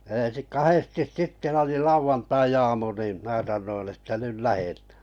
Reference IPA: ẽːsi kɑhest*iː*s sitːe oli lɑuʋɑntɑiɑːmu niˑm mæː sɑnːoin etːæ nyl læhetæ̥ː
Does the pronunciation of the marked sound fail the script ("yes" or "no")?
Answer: yes